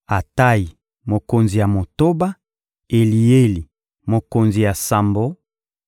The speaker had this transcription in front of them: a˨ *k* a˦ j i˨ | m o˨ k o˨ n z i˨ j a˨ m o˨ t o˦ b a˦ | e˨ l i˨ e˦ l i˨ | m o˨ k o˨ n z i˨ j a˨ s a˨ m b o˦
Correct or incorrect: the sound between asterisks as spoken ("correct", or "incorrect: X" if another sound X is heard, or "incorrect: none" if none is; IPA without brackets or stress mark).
incorrect: t